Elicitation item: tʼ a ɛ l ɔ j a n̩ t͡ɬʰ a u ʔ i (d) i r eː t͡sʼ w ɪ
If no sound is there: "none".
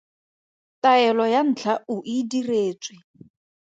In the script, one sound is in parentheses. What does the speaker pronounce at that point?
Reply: d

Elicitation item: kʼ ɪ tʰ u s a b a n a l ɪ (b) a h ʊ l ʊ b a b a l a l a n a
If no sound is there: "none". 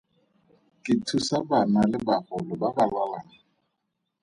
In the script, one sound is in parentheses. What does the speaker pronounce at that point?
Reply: b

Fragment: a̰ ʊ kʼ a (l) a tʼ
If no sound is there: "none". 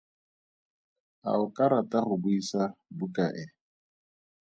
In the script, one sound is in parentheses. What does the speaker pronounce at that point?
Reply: ɾ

